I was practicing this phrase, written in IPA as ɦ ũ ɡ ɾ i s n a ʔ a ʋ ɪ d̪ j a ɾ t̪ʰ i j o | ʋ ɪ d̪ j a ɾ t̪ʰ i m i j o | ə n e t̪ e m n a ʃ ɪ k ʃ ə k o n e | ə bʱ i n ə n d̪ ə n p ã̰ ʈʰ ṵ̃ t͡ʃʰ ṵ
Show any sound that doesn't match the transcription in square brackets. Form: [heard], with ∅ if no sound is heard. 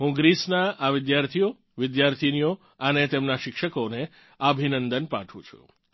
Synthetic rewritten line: ɦ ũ ɡ ɾ i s n a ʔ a ʋ ɪ d̪ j a ɾ t̪ʰ i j o | ʋ ɪ d̪ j a ɾ t̪ʰ i [n] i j o | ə n e t̪ e m n a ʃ ɪ k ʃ ə k o n e | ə bʱ i n ə n d̪ ə n p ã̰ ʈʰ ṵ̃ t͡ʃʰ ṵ